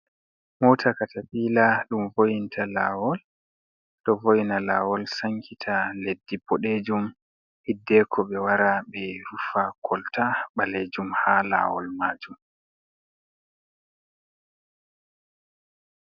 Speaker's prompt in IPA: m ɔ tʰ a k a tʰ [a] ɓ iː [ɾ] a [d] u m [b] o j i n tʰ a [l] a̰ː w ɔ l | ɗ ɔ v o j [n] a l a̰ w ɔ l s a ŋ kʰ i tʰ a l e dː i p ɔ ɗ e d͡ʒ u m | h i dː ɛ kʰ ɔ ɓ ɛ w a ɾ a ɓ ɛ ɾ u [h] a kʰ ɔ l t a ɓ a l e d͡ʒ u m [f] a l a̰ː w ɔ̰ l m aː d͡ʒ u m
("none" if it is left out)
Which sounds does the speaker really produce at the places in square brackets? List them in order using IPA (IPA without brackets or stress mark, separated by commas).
a, l, ɗ, v, l, n, f, h